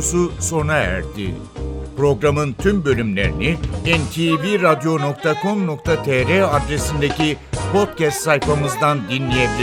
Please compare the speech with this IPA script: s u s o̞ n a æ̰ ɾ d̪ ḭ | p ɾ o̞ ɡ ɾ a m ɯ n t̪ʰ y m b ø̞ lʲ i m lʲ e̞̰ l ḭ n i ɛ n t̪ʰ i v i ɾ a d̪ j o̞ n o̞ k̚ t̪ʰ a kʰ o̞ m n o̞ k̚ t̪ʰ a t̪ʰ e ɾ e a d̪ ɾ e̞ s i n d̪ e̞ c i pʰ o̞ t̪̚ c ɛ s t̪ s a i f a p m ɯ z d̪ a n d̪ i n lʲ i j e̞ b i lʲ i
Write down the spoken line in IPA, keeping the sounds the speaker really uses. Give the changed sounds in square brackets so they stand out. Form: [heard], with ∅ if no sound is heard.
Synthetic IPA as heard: s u s o̞ n a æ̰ ɾ d̪ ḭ | p ɾ o̞ ɡ ɾ a m ɯ n t̪ʰ y m b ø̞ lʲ [y] m lʲ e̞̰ [ɾ] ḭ n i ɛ n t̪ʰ i v i ɾ a d̪ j o̞ n o̞ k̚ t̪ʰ a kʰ o̞ m n o̞ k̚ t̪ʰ a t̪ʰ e ɾ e a d̪ ɾ e̞ s i n d̪ e̞ c i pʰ o̞ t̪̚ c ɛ s t̪ s a [j] f a [∅] m ɯ z d̪ a n d̪ i n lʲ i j e̞ b i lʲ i